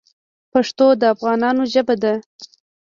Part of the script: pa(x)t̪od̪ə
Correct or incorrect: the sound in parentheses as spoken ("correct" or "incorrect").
incorrect